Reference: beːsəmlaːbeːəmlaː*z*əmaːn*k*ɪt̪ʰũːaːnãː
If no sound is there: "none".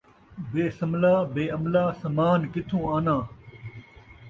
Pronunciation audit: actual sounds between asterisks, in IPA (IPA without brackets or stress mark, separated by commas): s, k